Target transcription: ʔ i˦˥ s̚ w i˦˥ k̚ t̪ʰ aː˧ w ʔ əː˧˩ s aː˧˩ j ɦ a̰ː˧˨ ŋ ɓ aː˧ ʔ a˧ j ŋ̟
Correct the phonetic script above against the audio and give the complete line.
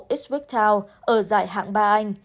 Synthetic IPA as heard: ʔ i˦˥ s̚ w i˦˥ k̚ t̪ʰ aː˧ w ʔ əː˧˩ z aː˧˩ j ɦ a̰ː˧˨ ŋ ɓ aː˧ ʔ a˧ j ŋ̟